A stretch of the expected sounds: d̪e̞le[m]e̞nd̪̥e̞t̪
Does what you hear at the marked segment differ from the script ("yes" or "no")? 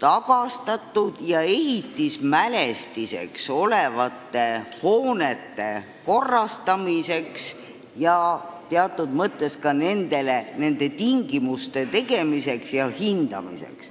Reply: yes